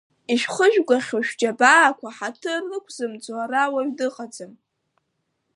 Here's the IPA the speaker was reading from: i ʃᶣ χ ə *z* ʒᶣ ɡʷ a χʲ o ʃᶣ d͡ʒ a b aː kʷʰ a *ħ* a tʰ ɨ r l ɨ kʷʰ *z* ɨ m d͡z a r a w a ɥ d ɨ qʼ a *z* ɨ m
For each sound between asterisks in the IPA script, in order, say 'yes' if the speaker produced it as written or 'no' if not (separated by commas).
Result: no, yes, yes, no